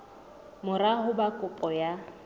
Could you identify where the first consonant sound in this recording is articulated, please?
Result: labial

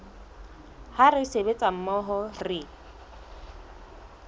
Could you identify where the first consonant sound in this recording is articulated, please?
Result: glottal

